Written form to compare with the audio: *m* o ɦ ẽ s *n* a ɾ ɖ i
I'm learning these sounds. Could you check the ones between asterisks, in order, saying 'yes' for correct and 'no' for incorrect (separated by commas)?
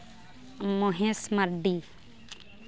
yes, no